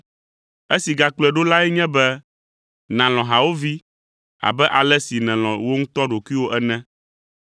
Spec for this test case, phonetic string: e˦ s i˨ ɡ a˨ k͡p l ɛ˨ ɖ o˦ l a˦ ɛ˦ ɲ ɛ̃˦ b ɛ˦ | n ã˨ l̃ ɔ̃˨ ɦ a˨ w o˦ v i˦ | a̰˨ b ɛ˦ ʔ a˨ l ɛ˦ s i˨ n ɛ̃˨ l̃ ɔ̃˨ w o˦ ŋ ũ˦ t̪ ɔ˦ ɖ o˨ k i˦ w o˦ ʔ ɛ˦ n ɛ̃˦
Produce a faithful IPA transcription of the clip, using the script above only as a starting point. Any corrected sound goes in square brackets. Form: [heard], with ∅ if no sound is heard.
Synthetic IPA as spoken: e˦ s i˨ ɡ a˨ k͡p l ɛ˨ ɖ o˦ l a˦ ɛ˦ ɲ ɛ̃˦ b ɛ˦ | n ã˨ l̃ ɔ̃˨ ɦ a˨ w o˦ v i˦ | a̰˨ b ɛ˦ ʔ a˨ l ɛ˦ s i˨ n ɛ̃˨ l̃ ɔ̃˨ w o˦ ŋ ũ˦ t̪ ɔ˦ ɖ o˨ k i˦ w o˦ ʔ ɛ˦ n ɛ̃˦

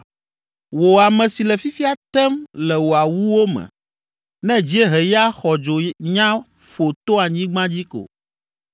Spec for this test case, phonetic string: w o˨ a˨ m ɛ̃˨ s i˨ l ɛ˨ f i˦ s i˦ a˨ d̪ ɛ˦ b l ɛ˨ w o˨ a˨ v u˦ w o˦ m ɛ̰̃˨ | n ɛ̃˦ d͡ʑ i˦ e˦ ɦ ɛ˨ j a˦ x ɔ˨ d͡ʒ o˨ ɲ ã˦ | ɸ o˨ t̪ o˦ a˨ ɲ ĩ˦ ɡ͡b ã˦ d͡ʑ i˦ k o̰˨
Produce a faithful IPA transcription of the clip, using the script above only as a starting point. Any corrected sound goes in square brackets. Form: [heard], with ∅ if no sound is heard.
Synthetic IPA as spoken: w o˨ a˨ m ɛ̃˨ s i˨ l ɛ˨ f i˦ [f] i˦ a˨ [t̪] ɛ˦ [m] l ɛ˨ w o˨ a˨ [w] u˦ w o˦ m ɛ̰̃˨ | n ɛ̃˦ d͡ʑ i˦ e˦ ɦ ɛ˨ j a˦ x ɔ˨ d͡ʒ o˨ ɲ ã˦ | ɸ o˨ t̪ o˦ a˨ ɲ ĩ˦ ɡ͡b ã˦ d͡ʑ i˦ k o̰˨

